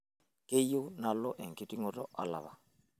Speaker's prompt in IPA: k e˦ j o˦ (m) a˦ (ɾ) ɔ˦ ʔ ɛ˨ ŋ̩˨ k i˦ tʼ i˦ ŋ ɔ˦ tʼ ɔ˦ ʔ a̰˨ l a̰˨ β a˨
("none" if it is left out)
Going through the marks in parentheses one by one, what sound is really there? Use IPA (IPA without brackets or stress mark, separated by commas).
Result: n, l